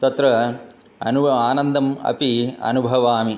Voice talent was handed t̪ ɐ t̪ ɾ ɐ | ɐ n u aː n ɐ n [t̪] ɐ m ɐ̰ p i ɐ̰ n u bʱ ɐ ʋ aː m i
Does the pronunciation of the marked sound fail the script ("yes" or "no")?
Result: yes